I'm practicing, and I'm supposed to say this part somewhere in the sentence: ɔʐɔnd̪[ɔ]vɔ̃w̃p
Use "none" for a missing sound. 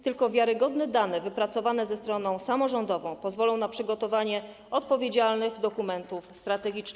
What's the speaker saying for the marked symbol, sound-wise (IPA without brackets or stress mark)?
ɔ